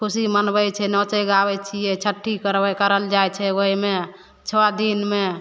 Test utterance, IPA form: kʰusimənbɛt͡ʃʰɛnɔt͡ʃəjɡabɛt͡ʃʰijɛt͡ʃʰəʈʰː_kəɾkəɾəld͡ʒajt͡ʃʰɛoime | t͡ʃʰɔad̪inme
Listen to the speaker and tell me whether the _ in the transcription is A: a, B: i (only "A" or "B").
B